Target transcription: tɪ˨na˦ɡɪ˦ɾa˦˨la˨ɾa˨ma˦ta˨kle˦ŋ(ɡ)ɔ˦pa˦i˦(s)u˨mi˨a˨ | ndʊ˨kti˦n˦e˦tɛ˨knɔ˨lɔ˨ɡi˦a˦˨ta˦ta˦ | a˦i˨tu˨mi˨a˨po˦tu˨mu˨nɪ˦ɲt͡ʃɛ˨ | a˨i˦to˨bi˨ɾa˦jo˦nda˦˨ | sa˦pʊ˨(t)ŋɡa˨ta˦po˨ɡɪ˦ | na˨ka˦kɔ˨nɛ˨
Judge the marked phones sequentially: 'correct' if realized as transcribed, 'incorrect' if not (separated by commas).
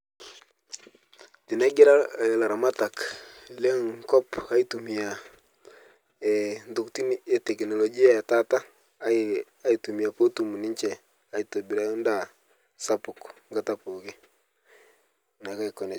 incorrect, incorrect, incorrect